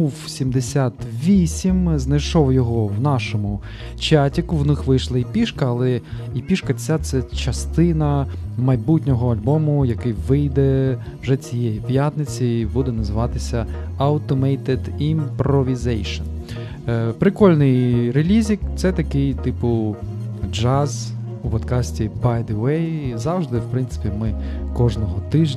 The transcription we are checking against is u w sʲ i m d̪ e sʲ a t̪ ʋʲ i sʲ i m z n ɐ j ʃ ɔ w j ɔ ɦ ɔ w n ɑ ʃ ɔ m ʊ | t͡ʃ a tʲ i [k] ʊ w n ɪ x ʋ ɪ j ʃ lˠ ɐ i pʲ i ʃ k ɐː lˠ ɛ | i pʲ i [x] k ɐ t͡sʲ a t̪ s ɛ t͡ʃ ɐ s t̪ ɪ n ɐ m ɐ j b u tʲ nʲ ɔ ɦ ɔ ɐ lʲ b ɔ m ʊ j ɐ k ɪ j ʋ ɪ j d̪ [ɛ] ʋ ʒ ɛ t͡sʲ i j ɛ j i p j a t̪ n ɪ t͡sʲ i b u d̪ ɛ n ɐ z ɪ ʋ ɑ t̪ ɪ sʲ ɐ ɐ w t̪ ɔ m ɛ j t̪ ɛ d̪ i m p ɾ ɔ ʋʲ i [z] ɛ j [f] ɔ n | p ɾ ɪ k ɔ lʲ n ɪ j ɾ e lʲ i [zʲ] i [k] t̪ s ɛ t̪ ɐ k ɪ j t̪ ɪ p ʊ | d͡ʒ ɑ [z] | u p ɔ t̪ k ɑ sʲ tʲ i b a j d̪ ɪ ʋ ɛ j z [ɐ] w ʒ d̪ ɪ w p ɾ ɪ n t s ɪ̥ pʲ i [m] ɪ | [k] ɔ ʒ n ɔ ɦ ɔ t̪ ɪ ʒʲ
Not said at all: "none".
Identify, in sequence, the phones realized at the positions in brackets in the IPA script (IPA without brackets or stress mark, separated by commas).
k, ʃ, ɛ, z, ʃ, zʲ, k, z, ɑ, m, k